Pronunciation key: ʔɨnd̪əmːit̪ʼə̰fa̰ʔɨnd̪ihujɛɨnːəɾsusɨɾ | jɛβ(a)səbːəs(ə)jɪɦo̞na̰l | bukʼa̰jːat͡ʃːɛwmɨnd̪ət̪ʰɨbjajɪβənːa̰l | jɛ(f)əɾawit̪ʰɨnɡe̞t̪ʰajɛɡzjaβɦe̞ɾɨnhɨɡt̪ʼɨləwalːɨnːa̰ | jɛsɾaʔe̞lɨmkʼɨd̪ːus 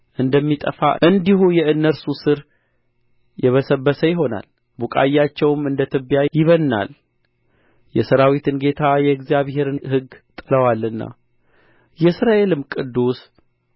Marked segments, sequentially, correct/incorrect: incorrect: ə, correct, incorrect: s

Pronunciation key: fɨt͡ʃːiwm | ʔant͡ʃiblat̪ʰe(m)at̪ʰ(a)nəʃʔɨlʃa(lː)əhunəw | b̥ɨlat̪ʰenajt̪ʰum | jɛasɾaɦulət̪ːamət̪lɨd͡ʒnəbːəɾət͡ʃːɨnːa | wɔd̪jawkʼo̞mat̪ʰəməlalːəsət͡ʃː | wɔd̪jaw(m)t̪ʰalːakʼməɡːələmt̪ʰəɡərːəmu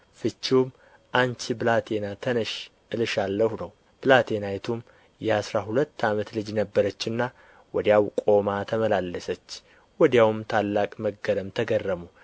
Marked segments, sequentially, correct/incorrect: incorrect: n, incorrect: ə, correct, correct

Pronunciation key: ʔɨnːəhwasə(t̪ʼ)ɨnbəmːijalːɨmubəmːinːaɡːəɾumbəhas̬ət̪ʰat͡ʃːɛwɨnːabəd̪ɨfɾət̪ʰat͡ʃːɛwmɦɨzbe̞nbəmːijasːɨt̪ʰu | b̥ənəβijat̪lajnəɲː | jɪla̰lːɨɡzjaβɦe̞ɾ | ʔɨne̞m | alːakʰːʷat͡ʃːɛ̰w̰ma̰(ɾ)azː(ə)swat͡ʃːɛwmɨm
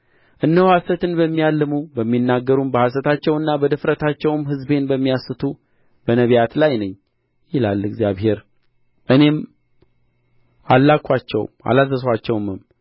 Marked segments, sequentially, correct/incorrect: incorrect: t̪, incorrect: l, correct

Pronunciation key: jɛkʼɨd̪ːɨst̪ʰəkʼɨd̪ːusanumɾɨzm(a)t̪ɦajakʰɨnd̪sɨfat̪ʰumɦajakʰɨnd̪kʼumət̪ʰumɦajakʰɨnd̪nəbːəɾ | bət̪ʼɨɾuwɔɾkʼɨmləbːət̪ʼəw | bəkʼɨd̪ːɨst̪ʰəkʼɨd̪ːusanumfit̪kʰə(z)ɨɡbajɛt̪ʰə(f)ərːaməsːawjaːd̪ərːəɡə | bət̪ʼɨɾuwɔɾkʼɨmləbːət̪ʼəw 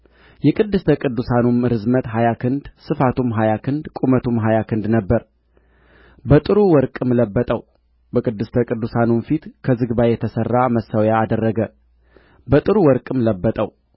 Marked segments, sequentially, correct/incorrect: incorrect: ə, correct, incorrect: s

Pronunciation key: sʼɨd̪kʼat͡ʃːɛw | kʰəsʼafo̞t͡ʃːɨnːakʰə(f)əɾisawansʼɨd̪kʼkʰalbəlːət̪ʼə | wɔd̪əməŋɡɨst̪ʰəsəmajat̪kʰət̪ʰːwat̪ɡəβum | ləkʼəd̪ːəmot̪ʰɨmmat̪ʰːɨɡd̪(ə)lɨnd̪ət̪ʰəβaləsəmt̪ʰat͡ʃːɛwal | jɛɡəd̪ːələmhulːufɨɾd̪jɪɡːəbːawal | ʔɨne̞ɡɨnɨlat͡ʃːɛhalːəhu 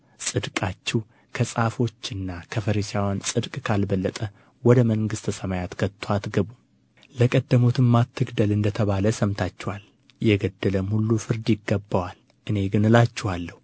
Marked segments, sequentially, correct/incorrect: correct, correct

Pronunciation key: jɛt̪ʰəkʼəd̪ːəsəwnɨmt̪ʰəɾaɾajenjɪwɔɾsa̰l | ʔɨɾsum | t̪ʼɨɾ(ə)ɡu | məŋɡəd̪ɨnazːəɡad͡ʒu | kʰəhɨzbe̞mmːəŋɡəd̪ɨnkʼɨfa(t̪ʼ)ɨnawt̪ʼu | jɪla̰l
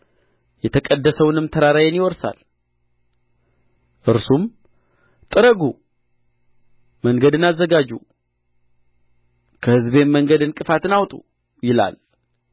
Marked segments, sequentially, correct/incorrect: correct, incorrect: t̪

